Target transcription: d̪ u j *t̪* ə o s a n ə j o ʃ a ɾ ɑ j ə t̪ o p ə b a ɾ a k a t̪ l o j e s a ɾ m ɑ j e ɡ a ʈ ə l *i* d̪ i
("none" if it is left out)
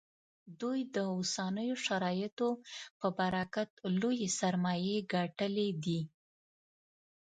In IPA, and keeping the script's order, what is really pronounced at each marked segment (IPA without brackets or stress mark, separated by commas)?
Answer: d̪, e